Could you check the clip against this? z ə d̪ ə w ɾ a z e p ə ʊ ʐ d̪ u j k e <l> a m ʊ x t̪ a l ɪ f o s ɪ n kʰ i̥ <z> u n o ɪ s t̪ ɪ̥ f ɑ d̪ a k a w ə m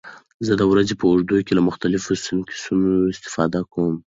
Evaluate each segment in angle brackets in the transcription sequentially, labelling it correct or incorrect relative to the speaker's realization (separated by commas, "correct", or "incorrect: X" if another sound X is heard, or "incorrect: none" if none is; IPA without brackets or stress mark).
correct, incorrect: s